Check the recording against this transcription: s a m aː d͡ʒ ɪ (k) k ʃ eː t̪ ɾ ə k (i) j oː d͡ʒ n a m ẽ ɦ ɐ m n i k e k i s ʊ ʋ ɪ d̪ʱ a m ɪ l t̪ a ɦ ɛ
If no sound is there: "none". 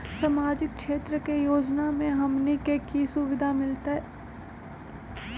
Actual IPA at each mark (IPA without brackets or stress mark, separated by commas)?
k, e